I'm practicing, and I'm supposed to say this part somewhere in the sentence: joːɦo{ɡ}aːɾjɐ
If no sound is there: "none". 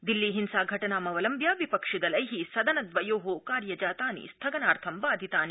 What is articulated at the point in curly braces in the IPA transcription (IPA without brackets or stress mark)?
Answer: k